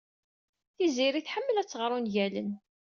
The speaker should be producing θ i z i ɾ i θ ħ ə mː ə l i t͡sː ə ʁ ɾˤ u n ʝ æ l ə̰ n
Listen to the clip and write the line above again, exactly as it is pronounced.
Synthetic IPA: θ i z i ɾ i θ ħ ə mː ə l æ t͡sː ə ʁ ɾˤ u n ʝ æ l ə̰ n